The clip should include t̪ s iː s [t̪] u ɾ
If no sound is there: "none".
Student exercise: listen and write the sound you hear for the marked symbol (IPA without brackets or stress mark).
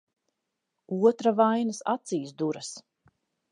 d̪